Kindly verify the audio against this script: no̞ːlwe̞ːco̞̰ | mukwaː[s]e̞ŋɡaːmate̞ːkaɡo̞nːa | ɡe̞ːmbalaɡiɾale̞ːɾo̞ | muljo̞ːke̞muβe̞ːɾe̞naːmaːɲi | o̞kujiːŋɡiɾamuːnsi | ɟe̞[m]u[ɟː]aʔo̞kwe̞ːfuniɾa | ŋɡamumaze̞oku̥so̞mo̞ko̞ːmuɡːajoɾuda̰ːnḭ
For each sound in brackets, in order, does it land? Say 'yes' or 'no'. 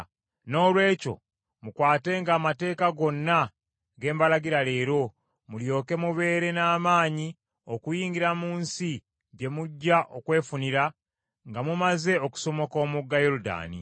no, yes, yes

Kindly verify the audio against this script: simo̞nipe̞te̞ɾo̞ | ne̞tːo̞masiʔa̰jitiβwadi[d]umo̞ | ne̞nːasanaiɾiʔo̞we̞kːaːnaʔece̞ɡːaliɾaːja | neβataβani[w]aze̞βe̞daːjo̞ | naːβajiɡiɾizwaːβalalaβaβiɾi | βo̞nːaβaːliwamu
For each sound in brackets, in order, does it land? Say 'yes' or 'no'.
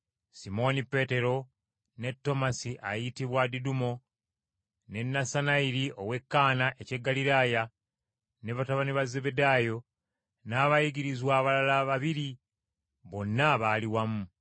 yes, no

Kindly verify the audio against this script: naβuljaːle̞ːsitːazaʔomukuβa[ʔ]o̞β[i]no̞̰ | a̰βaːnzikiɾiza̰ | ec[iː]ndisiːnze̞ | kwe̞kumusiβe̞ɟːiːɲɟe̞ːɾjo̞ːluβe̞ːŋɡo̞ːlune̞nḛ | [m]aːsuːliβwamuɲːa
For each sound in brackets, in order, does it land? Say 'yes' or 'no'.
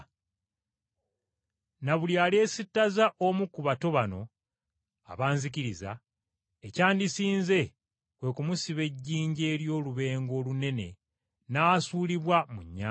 no, no, no, no

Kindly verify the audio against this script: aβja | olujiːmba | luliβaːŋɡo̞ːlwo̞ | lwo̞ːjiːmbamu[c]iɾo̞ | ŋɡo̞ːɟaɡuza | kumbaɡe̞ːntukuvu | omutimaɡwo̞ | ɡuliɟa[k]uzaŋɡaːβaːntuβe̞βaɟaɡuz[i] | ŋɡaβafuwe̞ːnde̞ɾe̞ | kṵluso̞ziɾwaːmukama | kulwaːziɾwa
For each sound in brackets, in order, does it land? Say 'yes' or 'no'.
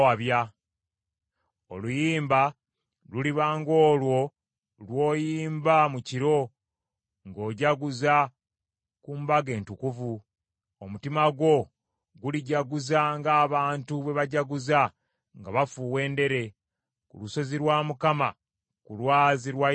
yes, no, no

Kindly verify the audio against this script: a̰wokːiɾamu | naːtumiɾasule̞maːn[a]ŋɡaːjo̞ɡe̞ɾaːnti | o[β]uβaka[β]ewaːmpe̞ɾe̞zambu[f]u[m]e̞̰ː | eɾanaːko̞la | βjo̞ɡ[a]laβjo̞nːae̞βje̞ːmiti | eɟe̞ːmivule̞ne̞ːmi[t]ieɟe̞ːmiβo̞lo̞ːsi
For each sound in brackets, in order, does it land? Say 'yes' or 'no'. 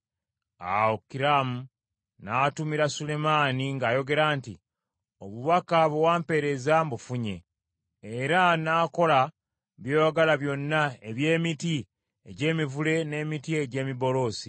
no, yes, yes, yes, no, yes, yes

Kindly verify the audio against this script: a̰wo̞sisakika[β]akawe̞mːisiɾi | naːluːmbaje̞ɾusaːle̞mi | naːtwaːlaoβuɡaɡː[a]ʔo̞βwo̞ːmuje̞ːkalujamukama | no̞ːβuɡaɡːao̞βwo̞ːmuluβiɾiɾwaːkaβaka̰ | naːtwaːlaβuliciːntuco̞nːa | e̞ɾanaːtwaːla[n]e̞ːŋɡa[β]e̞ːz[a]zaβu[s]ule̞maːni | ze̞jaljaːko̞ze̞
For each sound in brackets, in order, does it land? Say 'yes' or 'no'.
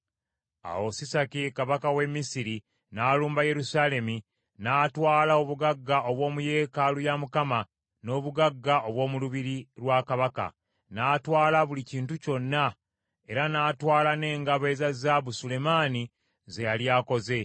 yes, yes, yes, yes, yes, yes

